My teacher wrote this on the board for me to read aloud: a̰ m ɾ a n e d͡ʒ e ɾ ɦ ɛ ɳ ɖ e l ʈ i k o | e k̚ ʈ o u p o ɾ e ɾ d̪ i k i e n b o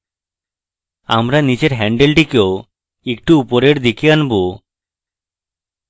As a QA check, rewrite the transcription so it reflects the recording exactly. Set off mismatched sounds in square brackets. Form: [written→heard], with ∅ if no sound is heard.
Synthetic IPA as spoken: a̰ m ɾ a n [e→i] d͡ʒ e ɾ ɦ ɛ ɳ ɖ e l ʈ i k o | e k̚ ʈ [o→u] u p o ɾ e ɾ d̪ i k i [e→a] n b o